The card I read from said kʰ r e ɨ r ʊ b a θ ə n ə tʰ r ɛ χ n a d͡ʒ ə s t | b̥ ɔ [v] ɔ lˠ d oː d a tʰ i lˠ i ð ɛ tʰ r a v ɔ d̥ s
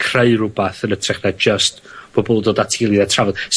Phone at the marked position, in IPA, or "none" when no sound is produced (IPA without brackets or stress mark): b